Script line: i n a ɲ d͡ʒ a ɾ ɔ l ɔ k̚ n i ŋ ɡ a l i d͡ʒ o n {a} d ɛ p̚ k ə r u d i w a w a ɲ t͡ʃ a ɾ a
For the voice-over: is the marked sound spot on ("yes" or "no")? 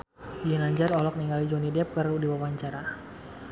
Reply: no